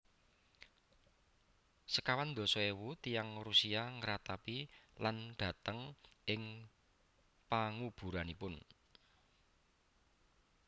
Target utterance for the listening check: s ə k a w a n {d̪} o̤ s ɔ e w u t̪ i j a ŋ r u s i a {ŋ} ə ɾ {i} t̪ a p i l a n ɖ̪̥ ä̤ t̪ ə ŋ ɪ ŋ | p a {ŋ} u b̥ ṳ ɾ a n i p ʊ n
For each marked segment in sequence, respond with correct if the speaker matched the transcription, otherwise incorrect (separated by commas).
correct, correct, incorrect, correct